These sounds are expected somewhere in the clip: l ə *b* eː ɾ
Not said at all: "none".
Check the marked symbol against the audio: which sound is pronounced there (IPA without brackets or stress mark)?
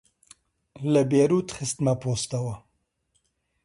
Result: b